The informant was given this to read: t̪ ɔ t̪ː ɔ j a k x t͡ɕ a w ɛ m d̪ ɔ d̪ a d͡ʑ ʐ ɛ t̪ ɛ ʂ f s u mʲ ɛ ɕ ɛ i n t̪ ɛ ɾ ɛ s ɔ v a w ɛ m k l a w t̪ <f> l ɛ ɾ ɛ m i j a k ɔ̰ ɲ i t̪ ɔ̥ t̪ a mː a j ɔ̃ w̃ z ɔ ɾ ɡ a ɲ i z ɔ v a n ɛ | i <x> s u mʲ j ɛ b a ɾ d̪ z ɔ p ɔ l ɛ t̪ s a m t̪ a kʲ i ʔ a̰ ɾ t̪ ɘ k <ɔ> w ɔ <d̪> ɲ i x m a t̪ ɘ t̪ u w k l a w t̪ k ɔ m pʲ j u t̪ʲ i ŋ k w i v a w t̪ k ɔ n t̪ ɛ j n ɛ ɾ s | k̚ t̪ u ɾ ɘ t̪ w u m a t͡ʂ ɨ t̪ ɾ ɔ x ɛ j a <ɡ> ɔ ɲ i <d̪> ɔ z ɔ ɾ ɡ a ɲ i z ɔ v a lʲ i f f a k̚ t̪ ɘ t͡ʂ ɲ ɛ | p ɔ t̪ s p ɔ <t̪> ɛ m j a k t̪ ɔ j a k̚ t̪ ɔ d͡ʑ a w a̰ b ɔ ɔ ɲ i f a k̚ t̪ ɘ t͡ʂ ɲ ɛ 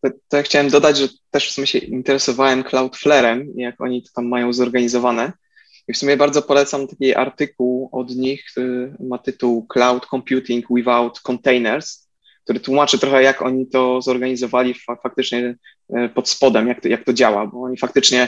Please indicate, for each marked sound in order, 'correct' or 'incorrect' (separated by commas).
correct, incorrect, incorrect, correct, incorrect, incorrect, incorrect